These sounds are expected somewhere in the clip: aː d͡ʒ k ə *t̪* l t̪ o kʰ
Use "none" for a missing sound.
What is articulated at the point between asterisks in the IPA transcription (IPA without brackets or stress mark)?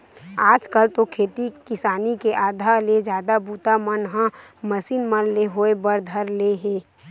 none